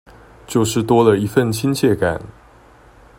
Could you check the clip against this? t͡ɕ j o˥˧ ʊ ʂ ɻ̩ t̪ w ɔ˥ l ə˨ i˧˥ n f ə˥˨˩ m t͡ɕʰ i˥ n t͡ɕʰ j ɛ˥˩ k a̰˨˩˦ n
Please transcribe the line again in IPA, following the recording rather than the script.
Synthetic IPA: t͡ɕ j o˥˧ ʊ ʂ ɻ̩ t̪ w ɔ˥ l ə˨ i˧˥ f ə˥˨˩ n t͡ɕʰ i˥ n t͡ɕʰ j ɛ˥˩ k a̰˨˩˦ n